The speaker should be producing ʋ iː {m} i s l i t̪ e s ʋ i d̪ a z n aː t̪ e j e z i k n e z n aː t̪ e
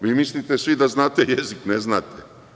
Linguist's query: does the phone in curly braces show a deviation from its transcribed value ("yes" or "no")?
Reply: no